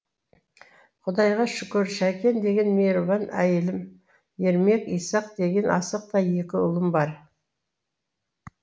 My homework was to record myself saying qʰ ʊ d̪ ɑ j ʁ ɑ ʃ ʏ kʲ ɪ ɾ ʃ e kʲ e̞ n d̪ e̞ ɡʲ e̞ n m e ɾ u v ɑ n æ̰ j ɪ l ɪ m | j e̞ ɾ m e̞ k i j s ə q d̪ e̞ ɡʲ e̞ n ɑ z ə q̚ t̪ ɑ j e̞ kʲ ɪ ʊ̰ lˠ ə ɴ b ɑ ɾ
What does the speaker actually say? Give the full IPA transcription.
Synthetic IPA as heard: qʰ ʊ d̪ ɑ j ʁ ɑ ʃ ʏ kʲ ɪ ɾ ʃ æ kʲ e̞ n d̪ e̞ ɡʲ e̞ n m e ɾ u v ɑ n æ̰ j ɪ l ɪ m | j e̞ ɾ m e̞ k i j s ɑ q d̪ e̞ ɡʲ e̞ n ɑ s ə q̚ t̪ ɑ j e̞ kʲ ɪ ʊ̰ lˠ ə m b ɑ ɾ